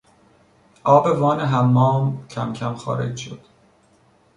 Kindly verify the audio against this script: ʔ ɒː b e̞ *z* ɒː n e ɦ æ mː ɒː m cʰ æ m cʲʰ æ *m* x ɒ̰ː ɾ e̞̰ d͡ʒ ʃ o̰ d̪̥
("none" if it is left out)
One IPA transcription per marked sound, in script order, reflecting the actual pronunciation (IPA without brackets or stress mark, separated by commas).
v, m